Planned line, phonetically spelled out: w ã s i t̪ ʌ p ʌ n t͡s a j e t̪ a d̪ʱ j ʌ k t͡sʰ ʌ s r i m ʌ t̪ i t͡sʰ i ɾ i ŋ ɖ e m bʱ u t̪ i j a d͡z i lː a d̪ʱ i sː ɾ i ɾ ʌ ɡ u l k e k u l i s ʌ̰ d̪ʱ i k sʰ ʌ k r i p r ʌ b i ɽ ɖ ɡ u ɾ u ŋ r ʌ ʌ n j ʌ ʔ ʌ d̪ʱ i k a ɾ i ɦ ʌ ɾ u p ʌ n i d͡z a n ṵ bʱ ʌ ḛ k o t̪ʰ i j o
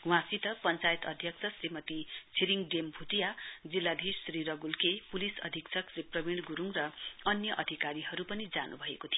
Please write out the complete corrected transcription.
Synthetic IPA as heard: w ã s i t̪ ʌ p ʌ n t͡s a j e t̪ ʌ d̪ʱ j ʌ k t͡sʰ ʌ s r i m ʌ t̪ i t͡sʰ i ɾ i ŋ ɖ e m bʱ u t̪ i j a d͡z i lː a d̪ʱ i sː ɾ i ɾ ʌ ɡ u l k e p u l i s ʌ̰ d̪ʱ i k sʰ ʌ k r i p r ʌ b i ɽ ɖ ɡ u ɾ u ŋ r ʌ ʌ n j ʌ ʔ ʌ d̪ʱ i k a ɾ i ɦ ʌ ɾ u p ʌ n i d͡z a n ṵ bʱ ʌ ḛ k o t̪ʰ i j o